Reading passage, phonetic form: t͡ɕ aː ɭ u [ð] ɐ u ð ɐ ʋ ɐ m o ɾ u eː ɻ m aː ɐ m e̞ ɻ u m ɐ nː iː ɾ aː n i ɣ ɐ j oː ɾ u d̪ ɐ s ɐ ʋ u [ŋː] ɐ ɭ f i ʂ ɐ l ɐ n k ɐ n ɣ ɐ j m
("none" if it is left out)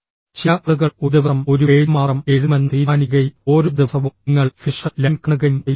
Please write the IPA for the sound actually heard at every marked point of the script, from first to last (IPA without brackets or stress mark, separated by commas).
ɣ, ŋː